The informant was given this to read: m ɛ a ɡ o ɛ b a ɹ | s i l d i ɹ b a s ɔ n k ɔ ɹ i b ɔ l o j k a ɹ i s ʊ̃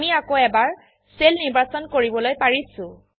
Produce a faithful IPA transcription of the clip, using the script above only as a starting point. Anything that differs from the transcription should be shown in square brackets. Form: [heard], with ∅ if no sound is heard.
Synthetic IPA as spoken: m [i] a [k] o ɛ b a ɹ | s [e] l [n] i ɹ b a s ɔ n k [o] ɹ i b ɔ l o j [p] a ɹ i s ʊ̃